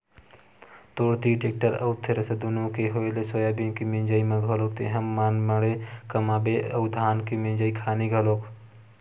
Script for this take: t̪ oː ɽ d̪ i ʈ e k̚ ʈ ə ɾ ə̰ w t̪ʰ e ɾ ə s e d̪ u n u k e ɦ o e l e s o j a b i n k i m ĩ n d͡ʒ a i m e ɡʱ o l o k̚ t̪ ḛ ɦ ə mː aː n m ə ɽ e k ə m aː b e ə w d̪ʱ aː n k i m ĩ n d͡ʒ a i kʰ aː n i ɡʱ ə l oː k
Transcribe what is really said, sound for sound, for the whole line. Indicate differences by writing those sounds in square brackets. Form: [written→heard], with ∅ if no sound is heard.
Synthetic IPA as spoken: t̪ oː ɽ [d̪→t̪] i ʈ e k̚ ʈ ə ɾ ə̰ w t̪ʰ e ɾ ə s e d̪ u n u k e ɦ o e l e s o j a b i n k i m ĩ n d͡ʒ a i m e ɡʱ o l o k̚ t̪ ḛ ɦ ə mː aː n m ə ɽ e k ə m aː b e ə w d̪ʱ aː n k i m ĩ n d͡ʒ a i kʰ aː n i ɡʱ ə l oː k